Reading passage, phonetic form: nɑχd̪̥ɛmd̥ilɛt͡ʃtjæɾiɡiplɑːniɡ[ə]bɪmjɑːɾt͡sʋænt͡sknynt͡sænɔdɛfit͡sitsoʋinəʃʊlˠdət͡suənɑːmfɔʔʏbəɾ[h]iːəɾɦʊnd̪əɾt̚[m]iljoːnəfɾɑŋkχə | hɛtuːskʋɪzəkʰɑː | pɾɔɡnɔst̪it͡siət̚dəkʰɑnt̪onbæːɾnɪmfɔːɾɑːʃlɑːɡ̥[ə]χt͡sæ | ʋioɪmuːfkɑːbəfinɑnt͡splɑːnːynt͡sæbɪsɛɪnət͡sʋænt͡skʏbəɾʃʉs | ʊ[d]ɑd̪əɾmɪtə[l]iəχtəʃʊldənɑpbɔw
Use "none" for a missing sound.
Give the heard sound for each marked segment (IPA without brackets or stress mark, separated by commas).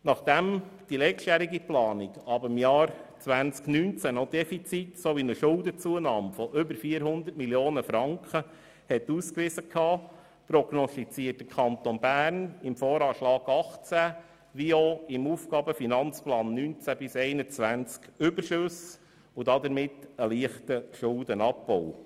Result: ɑ, f, m, ɑ, d, l